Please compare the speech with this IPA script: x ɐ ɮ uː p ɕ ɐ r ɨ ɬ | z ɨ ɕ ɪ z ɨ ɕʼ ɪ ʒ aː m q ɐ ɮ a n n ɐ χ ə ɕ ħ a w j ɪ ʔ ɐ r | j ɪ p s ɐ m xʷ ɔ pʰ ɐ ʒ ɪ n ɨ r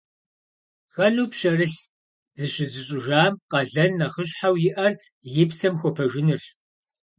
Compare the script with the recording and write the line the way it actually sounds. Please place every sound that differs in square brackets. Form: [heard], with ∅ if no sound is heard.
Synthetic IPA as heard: x ɐ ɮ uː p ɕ ɐ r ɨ ɬ | z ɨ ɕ ɪ z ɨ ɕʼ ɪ ʒ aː m q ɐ ɮ [ɐ] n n ɐ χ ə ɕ ħ a w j ɪ ʔ ɐ r | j ɪ p s ɐ m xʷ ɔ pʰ ɐ ʒ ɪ n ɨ r